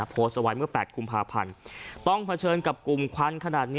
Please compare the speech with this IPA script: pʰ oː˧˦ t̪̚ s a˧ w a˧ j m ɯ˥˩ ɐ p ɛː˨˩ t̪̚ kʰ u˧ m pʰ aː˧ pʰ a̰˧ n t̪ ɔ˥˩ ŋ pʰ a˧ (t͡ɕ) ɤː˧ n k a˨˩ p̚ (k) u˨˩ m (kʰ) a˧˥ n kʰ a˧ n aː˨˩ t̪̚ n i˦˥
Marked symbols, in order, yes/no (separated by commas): no, yes, yes